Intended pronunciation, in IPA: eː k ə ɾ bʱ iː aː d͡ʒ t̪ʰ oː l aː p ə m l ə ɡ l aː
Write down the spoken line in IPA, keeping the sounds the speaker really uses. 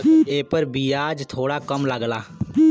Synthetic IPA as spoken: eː p ə ɾ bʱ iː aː d͡ʒ t̪ʰ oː ɽ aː k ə m l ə ɡ l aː